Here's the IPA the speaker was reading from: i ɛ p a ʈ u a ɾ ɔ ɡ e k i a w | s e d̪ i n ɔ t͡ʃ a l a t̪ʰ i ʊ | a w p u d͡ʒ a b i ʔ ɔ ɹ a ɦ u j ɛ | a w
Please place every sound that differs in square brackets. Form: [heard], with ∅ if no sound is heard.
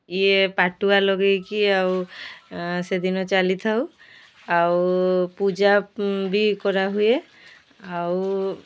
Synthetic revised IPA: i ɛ p a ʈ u a [l] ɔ ɡ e k i a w | s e d̪ i n ɔ t͡ʃ a l [i] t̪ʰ [a] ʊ | a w p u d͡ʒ a b i [k] ɔ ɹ a ɦ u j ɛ | a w